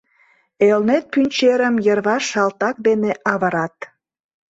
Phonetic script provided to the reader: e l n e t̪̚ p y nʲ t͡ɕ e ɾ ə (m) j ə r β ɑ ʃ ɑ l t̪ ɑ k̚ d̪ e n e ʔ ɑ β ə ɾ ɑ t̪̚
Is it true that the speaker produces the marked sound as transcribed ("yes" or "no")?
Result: yes